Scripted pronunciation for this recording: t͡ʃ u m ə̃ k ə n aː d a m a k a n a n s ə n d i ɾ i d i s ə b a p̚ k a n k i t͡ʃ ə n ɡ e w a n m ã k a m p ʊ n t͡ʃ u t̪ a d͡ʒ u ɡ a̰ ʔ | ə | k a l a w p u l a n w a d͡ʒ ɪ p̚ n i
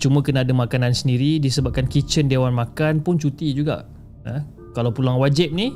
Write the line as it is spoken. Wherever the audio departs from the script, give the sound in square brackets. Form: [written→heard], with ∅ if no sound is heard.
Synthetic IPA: t͡ʃ u m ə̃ k ə n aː d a m a k a n a n s ə n d i ɾ i d i s ə b a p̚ k a n k i t͡ʃ ə n [ɡ→d] e w a n m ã k a [m→n] p ʊ n t͡ʃ u t̪ [a→i] d͡ʒ u ɡ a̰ ʔ | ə | k a l a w p u l a [n→ŋ] w a d͡ʒ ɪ p̚ n i